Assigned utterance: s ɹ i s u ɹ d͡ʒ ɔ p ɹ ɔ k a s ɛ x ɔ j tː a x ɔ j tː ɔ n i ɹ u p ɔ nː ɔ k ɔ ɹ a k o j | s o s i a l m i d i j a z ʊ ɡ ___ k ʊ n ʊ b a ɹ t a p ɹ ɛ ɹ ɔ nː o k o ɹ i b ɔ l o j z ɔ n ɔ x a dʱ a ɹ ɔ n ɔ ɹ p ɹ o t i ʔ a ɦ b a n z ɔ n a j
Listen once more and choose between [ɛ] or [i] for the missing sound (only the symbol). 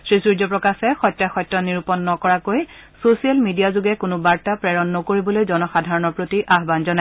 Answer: ɛ